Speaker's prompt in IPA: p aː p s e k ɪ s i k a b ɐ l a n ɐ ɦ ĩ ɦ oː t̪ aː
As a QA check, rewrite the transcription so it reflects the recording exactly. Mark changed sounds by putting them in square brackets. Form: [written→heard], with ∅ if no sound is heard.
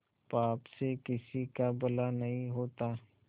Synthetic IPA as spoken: p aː p s e k ɪ s i k a b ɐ l a n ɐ ɦ ĩ ɦ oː t̪ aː